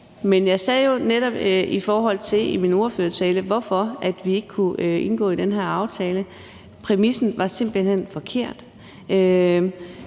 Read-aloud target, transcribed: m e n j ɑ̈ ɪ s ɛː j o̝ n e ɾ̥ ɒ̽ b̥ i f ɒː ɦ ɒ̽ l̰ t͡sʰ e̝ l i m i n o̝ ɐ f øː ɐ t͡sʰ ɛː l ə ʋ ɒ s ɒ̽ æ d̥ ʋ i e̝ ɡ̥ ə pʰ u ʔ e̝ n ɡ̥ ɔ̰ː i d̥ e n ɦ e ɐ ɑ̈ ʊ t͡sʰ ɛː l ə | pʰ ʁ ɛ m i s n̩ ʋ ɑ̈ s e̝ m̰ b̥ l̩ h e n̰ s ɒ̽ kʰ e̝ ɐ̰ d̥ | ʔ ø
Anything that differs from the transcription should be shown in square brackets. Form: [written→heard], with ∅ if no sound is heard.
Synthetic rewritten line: m e n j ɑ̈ ɪ s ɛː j o̝ n e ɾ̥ ɒ̽ b̥ i f ɒː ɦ ɒ̽ l̰ t͡sʰ e̝ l i m i n o̝ ɐ f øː ɐ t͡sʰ ɛː l ə ʋ ɒ [s→f] ɒ̽ æ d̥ ʋ i e̝ ɡ̥ ə [pʰ→kʰ] u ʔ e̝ n ɡ̥ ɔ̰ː i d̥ e n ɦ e ɐ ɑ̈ ʊ t͡sʰ ɛː l ə | pʰ ʁ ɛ m i s n̩ ʋ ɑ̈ s e̝ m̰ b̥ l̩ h e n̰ [s→f] ɒ̽ kʰ e̝ ɐ̰ d̥ | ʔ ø